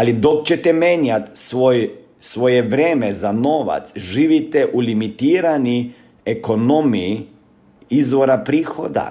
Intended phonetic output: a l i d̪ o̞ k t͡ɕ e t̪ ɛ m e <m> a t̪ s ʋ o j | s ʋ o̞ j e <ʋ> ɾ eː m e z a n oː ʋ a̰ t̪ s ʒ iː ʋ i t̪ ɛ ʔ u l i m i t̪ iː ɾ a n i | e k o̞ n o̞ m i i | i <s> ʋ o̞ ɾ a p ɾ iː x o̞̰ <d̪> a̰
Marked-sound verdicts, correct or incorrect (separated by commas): incorrect, correct, incorrect, correct